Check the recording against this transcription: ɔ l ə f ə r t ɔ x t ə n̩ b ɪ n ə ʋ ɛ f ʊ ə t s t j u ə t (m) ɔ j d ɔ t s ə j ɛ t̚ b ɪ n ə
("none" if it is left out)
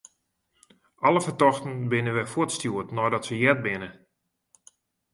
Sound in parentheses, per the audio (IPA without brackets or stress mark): n